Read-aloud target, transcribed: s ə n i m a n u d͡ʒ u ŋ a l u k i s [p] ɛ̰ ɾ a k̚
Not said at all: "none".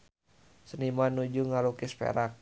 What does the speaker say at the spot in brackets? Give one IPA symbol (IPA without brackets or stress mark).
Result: p